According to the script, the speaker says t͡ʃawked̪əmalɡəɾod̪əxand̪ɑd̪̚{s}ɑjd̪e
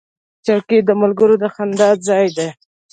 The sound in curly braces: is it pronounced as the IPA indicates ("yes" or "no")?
no